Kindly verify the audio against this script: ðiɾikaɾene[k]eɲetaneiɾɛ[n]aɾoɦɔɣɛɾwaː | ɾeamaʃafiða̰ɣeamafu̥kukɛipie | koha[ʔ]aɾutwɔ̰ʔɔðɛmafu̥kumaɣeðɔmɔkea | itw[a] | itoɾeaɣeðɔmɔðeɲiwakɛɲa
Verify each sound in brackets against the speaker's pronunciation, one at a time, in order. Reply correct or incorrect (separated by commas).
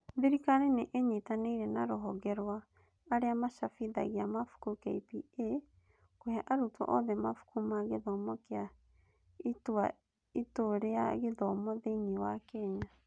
incorrect, correct, correct, correct